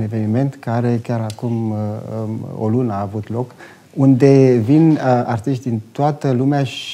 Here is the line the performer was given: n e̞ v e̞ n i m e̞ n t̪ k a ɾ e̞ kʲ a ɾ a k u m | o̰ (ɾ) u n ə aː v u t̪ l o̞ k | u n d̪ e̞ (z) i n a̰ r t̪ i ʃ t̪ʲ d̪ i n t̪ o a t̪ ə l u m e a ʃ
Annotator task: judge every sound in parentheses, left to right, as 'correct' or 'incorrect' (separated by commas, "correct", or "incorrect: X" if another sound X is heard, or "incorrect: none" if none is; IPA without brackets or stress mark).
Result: incorrect: l, incorrect: v